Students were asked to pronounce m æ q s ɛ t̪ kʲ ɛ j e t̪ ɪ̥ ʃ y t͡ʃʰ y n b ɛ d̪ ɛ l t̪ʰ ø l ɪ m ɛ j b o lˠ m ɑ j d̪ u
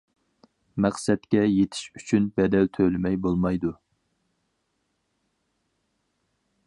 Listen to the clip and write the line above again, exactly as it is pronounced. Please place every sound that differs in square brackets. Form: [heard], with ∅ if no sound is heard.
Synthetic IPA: m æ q s ɛ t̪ kʲ ɛ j e [t̪ʰ] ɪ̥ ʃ y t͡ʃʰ y n b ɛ d̪ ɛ l t̪ʰ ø l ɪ m ɛ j b o lˠ m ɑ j d̪ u